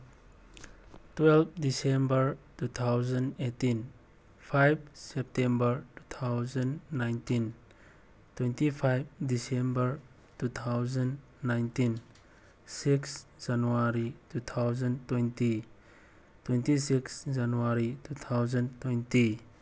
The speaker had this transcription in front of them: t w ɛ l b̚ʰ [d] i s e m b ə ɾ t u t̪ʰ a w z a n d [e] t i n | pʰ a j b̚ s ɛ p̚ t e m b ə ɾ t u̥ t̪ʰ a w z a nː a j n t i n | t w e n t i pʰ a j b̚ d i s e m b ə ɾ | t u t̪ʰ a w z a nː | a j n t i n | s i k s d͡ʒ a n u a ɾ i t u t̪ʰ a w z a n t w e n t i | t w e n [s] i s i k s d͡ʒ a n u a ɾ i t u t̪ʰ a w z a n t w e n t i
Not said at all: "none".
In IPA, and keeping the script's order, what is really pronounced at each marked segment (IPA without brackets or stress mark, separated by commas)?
d, e, t